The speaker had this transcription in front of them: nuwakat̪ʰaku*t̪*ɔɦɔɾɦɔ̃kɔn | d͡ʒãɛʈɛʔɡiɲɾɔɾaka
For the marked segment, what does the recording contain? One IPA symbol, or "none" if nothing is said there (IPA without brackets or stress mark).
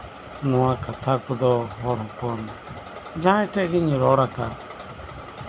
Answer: d̪